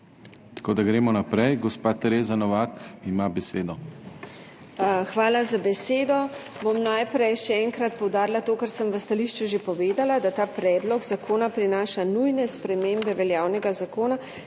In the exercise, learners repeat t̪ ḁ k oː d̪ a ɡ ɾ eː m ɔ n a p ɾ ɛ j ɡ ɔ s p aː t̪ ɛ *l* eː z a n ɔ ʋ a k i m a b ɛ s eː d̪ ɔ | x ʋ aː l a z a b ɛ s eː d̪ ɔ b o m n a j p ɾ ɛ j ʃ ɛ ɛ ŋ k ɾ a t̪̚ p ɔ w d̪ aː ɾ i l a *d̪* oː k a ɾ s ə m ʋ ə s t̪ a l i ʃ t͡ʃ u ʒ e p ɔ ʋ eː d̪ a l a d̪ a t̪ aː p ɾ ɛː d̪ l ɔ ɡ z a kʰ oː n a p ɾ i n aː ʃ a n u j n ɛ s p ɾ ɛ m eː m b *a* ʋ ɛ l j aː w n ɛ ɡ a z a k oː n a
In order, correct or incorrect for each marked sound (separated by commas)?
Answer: incorrect, incorrect, incorrect